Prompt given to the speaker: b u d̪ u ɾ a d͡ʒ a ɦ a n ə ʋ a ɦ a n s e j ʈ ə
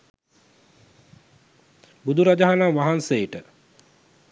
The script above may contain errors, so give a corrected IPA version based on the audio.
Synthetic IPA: b u d̪ u ɾ a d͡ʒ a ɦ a n a ʋ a ɦ a n s e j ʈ ə